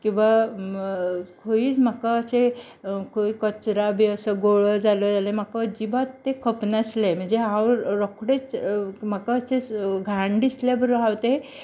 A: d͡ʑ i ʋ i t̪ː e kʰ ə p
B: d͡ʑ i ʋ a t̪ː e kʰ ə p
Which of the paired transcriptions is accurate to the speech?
B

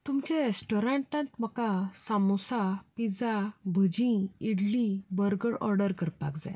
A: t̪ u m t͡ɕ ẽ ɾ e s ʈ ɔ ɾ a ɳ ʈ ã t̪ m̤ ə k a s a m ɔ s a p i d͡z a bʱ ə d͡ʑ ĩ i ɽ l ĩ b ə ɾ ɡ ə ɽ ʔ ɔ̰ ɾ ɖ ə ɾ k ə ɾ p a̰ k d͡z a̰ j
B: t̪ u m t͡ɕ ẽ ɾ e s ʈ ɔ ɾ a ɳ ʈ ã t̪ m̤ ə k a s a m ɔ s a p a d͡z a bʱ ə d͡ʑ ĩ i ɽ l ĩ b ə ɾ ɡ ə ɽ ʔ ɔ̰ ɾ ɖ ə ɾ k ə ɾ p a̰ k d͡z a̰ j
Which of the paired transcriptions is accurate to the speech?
A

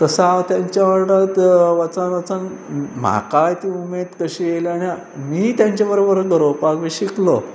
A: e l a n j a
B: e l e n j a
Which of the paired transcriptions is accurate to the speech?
A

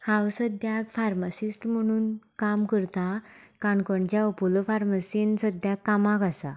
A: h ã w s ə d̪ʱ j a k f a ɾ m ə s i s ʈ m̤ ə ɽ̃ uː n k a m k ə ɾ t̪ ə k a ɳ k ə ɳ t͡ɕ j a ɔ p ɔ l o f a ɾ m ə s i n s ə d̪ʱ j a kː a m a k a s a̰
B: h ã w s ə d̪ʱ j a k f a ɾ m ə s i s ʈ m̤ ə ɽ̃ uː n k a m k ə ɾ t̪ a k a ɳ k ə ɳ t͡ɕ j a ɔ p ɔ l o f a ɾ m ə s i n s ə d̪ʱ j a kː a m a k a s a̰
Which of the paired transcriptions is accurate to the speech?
B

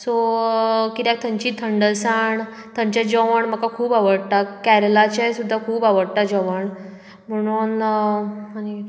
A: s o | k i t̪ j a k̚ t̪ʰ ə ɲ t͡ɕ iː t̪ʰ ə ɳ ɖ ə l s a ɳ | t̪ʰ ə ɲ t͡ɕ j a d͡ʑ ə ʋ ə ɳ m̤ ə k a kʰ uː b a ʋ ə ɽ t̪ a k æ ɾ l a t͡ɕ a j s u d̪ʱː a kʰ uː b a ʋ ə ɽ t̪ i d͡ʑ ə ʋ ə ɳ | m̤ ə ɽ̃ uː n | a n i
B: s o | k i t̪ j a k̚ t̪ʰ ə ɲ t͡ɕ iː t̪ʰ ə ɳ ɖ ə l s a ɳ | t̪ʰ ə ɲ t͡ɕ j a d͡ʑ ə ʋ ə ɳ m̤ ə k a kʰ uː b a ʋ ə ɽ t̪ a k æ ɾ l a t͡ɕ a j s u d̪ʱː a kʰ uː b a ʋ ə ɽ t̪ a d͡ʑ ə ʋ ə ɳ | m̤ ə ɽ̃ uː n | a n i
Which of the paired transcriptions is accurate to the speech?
B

